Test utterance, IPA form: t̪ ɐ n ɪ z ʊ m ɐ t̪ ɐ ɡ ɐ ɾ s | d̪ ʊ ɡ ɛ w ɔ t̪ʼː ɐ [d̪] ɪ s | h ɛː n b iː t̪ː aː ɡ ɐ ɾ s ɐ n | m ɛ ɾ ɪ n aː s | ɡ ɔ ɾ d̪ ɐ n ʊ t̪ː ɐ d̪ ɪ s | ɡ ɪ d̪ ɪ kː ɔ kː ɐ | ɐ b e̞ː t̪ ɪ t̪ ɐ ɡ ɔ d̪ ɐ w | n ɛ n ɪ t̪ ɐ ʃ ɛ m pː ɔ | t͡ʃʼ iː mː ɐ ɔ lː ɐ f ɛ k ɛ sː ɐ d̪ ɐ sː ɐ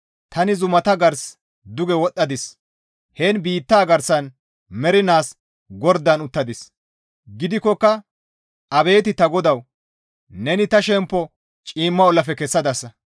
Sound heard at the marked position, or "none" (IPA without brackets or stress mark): d̪